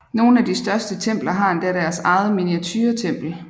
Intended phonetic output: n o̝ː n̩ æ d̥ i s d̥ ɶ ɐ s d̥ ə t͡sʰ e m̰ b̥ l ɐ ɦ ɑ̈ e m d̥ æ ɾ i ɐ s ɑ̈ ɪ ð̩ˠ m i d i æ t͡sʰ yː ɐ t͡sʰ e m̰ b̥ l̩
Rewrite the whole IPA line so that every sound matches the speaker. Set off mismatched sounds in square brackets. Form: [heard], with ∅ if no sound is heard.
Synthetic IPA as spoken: n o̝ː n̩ æ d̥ i s d̥ ɶ ɐ s d̥ ə t͡sʰ e m̰ b̥ l ɐ ɦ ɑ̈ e [n] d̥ æ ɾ [æ] ɐ s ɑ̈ ɪ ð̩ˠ m i [n] i æ t͡sʰ yː ɐ t͡sʰ e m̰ b̥ l̩